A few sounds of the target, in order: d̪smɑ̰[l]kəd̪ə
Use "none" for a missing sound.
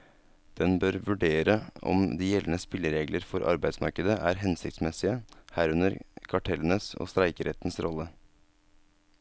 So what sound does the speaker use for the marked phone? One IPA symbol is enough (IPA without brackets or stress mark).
ɾ